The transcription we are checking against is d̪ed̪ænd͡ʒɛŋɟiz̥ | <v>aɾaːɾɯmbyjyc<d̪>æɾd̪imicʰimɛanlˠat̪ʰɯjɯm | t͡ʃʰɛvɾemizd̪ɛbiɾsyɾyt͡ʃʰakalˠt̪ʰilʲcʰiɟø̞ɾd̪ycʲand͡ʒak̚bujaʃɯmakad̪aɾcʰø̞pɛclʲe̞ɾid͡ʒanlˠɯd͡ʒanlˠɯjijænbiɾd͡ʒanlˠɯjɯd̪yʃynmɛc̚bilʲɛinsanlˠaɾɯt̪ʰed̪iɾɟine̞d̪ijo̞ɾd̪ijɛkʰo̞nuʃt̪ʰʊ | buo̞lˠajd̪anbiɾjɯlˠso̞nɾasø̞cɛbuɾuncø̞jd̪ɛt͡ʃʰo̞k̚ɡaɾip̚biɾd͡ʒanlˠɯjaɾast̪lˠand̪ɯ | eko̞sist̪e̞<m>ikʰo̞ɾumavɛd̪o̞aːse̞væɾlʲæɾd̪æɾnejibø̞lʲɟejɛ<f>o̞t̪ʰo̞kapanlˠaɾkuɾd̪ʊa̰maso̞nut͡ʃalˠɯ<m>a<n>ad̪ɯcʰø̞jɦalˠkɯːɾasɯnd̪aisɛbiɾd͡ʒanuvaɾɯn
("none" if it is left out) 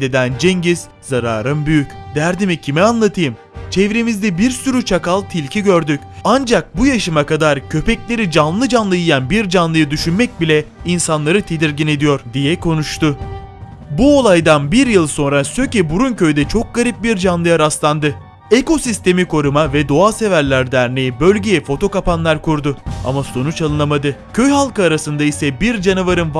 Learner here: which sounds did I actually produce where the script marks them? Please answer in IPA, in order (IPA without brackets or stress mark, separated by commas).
z, d̪, m, f, n, m